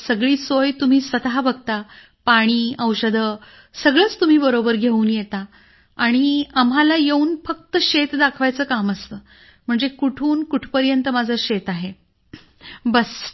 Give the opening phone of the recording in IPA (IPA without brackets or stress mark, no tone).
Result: s